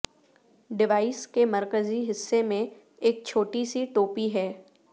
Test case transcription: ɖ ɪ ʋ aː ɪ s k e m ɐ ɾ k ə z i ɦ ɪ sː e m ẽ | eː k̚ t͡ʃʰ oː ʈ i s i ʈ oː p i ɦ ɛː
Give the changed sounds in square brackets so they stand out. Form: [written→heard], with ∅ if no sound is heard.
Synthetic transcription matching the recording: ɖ ɪ ʋ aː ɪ s k e m ɐ ɾ k ə z i ɦ ɪ sː e m ẽ | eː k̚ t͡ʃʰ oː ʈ i s i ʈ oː p i ɦ ɛː